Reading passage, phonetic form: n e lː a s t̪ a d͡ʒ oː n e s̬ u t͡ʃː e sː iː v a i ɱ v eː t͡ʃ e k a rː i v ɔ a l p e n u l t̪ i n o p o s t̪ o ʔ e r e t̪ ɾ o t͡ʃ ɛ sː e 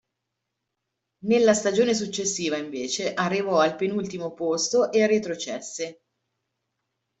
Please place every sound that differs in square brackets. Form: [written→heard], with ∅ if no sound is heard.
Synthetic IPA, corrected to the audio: n e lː a s t̪ a d͡ʒ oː n e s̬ u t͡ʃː e sː iː v a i ɱ v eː t͡ʃ e [k→ʔ] a rː i v ɔ a l p e n u l t̪ i [n→m] o p o s t̪ o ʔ e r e t̪ ɾ o t͡ʃ ɛ sː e